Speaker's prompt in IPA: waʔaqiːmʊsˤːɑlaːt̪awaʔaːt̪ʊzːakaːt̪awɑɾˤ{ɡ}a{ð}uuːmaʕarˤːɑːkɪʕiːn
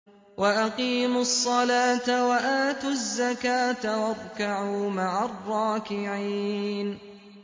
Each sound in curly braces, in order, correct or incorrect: incorrect: k, incorrect: ʕ

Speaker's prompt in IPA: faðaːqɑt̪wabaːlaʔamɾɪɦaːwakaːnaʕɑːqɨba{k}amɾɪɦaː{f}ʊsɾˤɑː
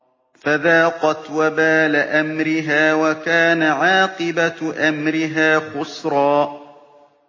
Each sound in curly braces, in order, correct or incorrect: incorrect: ʔ, incorrect: x

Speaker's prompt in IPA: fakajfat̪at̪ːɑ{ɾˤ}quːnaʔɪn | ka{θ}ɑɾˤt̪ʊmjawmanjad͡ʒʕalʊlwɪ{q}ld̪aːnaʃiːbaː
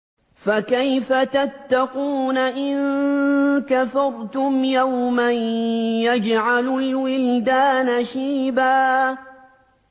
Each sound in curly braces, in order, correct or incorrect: incorrect: none, incorrect: f, incorrect: none

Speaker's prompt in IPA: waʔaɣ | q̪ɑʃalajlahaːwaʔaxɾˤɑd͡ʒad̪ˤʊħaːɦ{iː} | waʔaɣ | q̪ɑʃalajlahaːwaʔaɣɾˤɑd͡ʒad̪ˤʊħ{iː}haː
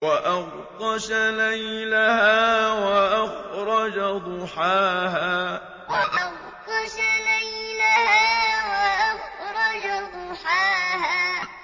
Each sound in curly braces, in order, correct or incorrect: incorrect: aː, incorrect: aː

